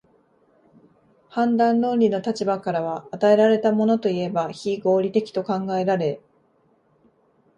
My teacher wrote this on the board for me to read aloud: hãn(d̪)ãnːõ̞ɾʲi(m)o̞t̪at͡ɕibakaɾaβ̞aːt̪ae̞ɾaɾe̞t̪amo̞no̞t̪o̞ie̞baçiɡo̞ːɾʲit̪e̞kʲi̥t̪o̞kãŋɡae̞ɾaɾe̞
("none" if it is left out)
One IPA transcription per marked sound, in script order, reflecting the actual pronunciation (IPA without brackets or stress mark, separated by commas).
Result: d̪, n